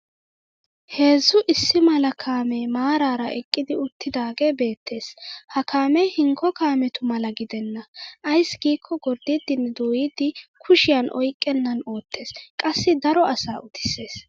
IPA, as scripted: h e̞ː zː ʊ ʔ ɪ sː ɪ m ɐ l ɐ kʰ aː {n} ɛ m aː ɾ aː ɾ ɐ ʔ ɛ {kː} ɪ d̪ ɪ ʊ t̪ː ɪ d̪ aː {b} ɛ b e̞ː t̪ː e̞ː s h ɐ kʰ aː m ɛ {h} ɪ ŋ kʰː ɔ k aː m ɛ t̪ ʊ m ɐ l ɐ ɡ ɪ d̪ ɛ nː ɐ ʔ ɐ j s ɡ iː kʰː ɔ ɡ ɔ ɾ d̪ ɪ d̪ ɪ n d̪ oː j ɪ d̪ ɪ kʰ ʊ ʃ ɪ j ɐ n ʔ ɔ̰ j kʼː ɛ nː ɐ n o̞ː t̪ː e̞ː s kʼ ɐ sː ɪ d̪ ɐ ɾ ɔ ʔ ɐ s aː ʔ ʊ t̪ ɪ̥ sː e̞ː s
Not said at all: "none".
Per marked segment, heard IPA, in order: m, kʼː, ɡ, h

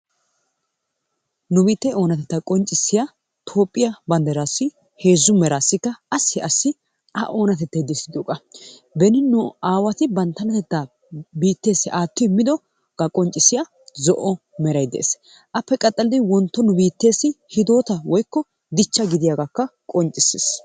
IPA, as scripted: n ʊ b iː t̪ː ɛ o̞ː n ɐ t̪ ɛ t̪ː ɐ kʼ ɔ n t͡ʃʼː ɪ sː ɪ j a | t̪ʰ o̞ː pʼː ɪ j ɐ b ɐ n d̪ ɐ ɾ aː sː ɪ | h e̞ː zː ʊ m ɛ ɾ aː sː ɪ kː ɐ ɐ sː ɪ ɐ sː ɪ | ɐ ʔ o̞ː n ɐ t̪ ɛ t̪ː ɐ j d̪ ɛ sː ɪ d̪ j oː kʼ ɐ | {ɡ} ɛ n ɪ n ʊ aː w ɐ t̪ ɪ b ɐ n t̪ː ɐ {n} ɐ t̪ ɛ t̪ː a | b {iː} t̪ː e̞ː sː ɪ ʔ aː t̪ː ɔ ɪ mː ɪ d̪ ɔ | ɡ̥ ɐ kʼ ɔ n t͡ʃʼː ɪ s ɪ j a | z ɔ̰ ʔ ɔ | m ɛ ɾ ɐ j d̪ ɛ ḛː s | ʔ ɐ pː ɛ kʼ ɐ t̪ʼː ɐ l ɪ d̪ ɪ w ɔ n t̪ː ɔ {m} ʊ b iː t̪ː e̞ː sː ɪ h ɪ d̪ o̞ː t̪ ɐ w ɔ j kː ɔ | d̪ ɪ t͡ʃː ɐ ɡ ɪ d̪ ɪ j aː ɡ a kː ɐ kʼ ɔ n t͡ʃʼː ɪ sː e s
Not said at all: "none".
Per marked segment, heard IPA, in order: b, n, iː, n

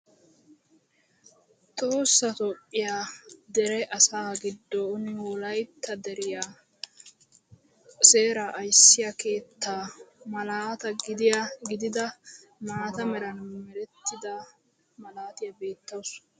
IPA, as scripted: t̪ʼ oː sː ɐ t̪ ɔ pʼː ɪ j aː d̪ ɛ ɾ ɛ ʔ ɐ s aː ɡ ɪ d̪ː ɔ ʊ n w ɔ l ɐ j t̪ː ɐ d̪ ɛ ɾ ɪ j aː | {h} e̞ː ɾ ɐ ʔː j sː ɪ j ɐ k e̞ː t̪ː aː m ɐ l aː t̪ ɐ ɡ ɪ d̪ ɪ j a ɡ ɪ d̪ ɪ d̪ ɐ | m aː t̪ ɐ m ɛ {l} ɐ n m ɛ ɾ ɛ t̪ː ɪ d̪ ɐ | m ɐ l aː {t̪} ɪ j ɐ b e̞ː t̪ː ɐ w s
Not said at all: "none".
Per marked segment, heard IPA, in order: s, ɾ, t̪

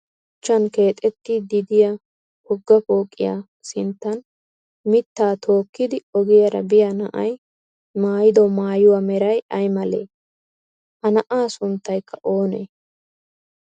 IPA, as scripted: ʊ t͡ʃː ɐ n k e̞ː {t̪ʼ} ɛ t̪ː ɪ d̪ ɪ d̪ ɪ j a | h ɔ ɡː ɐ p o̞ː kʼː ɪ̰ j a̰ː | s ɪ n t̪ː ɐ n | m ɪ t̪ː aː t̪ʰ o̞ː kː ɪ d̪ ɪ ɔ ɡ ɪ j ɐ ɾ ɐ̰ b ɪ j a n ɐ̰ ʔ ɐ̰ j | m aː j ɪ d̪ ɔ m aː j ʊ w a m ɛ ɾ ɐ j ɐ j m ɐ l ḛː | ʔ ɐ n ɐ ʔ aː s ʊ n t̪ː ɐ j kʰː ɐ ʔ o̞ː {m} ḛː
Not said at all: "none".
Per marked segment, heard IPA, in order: t̪ʼ, n

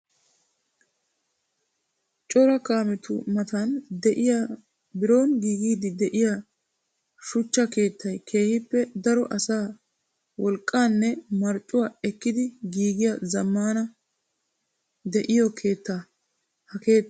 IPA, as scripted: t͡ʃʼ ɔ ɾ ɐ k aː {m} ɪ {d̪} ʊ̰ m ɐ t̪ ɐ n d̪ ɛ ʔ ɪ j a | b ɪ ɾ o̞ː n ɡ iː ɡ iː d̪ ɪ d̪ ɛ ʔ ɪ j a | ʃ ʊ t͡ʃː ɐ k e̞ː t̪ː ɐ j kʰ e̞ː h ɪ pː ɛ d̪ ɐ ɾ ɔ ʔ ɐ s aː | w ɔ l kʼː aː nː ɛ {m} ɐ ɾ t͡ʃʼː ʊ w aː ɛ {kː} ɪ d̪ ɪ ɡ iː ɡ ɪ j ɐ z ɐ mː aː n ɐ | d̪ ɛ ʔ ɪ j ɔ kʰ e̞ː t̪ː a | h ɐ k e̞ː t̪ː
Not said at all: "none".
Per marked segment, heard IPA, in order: m, t̪, m, kː

